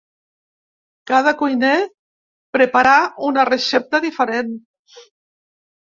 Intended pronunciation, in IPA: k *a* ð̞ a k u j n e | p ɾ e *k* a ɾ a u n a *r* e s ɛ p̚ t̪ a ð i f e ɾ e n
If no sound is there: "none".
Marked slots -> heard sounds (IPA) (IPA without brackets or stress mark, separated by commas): a, p, r